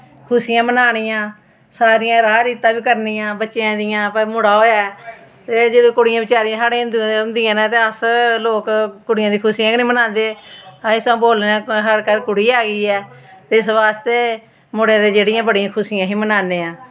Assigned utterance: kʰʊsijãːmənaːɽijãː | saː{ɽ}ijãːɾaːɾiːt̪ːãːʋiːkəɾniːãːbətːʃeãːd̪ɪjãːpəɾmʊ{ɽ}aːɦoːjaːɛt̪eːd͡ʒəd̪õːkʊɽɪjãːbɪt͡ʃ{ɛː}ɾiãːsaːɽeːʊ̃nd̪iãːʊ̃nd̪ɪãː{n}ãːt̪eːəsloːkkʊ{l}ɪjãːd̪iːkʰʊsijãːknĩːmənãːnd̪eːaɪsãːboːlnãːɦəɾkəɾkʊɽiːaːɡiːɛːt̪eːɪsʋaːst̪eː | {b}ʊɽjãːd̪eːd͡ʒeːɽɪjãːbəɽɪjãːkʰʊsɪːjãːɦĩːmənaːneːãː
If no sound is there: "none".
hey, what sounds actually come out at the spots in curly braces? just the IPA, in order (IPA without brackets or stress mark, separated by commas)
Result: ɾ, ɽ, aː, n, ɽ, m